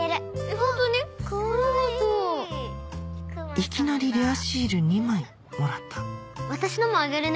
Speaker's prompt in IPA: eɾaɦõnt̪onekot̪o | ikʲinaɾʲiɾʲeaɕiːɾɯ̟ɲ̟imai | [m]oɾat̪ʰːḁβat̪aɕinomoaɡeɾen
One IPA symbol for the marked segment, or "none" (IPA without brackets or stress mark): m